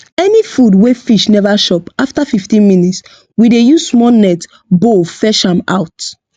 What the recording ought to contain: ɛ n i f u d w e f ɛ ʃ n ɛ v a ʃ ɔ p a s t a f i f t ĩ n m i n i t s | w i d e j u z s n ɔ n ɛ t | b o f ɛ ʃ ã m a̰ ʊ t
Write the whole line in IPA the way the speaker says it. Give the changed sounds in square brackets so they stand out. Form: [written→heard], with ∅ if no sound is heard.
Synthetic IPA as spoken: ɛ n i f u d w e f [ɛ→i] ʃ n ɛ v a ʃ ɔ p a [s→f] t a f i f t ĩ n m i n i t s | w i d e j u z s [n→m] ɔ n ɛ t | b o f ɛ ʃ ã m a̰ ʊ t